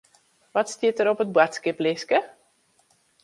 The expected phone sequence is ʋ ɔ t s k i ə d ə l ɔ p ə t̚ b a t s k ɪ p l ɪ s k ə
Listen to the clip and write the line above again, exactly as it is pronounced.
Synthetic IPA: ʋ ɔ t s t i ə t ə ɾ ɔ p ə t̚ b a t s k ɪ p l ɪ s k ə